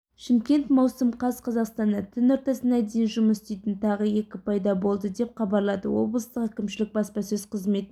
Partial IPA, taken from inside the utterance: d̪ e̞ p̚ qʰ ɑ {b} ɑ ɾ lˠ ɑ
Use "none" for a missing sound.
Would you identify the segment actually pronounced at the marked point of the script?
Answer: b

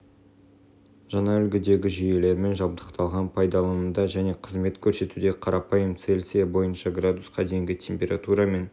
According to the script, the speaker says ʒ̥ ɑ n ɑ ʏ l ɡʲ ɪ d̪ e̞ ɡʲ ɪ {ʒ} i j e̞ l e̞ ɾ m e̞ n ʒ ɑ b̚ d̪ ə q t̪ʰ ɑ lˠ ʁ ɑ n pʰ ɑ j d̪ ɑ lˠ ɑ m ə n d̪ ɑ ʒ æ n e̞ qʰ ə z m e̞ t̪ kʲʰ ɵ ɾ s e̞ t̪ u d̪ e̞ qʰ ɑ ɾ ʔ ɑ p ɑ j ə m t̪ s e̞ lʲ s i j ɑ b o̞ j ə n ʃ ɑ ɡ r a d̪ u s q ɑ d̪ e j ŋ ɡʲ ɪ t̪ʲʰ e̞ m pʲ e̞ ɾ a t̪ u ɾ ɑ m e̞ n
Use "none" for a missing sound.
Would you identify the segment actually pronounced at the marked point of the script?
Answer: ʒ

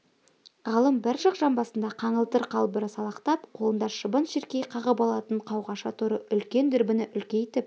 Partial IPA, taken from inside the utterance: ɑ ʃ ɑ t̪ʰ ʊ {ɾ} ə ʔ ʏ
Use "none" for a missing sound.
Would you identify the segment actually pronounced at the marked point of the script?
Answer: ɾ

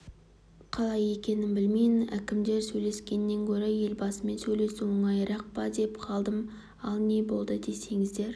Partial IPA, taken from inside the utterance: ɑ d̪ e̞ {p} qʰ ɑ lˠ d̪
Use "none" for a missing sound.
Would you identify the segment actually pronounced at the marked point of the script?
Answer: p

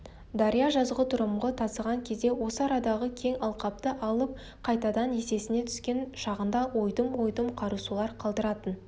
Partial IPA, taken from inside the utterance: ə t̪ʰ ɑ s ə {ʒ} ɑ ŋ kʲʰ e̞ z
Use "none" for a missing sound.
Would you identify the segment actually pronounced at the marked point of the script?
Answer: ʁ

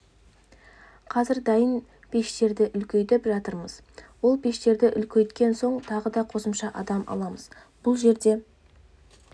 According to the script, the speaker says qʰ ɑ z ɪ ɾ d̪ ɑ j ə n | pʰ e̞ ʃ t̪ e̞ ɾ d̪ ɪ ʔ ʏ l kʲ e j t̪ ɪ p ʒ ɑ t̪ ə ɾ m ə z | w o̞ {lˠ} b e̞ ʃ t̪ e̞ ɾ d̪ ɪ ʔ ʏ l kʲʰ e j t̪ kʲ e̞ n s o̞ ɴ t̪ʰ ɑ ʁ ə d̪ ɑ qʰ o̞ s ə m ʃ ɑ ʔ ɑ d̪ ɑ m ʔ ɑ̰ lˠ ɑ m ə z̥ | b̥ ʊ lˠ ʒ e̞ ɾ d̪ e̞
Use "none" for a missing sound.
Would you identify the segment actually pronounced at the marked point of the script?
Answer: lˠ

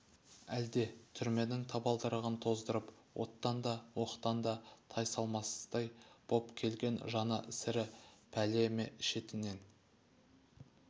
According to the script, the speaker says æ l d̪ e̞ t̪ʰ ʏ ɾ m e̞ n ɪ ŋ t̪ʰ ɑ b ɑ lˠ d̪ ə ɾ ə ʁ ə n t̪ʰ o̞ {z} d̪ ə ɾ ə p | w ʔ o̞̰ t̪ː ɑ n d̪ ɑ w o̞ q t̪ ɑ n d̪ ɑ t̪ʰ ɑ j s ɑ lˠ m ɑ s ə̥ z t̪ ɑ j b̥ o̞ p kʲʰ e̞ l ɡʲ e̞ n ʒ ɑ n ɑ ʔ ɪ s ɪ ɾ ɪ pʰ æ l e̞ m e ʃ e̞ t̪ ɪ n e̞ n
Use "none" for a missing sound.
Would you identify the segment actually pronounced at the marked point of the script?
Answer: z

